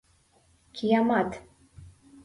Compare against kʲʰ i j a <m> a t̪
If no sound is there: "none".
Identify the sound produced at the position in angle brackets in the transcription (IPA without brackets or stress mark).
m